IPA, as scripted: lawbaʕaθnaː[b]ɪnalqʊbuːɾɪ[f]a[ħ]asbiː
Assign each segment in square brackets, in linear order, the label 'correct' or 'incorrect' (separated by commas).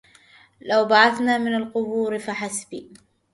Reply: incorrect, correct, correct